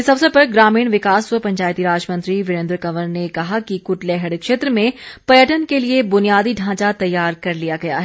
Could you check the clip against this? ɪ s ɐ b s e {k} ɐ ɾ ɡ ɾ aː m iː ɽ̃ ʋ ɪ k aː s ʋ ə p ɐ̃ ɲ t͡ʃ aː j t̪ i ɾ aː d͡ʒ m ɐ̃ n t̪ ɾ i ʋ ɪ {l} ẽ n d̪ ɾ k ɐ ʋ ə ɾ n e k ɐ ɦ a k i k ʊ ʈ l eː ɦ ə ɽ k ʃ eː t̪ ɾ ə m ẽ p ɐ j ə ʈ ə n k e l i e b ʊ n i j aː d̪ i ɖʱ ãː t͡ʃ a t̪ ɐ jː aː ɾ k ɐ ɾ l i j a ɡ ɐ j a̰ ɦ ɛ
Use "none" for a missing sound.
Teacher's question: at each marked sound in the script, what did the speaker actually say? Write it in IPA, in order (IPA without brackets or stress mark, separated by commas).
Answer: p, ɾ